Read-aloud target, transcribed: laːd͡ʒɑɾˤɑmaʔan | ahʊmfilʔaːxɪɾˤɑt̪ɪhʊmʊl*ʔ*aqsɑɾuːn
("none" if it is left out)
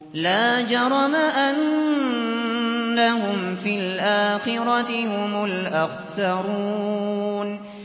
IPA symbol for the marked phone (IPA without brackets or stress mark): ʔ